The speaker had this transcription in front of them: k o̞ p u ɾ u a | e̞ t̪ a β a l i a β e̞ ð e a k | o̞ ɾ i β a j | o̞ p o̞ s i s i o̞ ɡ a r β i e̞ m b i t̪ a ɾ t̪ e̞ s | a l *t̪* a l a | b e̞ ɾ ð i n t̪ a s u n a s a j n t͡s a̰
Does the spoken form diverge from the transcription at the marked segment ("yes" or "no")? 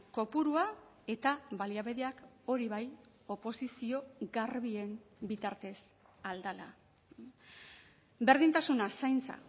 yes